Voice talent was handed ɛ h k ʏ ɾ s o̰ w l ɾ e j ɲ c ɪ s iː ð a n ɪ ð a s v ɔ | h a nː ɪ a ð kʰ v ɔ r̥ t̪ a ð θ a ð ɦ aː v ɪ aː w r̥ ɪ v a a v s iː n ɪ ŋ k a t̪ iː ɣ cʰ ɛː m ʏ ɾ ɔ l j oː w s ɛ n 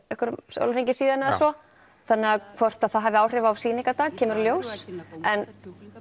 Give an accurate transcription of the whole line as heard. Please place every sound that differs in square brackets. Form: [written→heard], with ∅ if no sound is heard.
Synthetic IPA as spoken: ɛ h k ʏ ɾ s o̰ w l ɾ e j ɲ c ɪ s iː ð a n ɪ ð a s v ɔ | [h→θ] a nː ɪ a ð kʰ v ɔ r̥ t̪ a ð θ a ð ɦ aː v ɪ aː w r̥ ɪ v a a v s iː n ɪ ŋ k a t̪ [iː→aː] ɣ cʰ ɛː m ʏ ɾ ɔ l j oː w s ɛ n